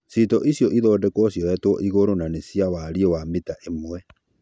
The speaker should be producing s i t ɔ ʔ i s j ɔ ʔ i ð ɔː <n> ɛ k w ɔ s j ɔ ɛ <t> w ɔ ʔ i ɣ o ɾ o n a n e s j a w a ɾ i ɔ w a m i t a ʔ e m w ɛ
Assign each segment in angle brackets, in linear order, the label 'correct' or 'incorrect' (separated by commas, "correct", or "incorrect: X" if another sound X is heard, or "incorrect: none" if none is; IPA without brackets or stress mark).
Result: incorrect: d, correct